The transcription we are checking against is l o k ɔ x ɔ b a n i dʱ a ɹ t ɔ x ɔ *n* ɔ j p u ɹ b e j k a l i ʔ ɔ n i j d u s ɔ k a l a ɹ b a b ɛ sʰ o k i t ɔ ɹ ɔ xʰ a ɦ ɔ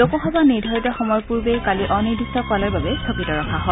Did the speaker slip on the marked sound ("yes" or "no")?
yes